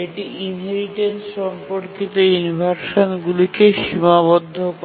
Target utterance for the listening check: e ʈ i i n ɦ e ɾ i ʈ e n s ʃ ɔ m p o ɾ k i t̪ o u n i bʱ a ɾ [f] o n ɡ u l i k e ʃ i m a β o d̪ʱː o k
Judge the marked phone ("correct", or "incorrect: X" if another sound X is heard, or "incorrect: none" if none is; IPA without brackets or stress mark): incorrect: ʃ